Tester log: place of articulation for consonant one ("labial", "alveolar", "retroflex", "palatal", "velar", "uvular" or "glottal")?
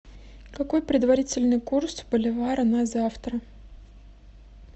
velar